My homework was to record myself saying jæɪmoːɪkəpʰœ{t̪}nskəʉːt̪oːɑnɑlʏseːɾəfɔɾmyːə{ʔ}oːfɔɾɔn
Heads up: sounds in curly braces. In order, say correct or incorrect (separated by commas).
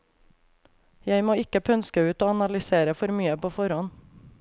incorrect, incorrect